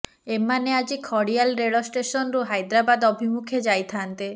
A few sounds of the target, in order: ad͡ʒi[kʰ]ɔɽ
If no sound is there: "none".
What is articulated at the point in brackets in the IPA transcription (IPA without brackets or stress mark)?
kʰ